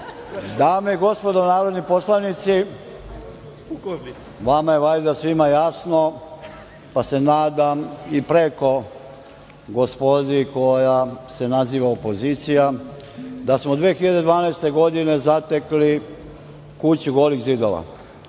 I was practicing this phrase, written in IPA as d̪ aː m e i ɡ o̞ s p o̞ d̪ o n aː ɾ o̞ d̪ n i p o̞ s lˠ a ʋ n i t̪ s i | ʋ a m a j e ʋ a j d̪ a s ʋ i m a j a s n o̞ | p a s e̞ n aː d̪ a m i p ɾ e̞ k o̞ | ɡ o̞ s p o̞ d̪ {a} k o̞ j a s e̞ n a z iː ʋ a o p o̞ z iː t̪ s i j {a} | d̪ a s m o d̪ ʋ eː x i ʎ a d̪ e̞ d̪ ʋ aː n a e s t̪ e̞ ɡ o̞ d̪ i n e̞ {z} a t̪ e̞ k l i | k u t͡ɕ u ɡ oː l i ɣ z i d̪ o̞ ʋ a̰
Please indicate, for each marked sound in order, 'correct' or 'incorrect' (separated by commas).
incorrect, correct, correct